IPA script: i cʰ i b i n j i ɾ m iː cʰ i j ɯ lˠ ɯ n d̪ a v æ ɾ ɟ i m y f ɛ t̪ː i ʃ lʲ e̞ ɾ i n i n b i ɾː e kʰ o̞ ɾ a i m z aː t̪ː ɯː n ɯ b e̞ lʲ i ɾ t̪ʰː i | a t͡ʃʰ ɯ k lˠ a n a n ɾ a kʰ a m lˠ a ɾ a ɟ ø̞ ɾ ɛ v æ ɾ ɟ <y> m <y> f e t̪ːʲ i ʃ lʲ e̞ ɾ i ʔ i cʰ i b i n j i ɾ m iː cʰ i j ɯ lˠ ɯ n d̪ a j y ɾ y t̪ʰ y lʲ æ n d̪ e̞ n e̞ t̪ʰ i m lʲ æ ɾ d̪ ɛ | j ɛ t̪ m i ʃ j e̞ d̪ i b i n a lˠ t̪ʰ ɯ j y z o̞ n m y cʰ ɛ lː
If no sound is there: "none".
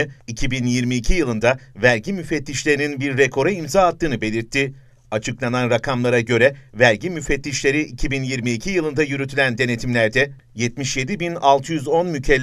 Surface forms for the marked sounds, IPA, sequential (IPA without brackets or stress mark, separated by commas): i, y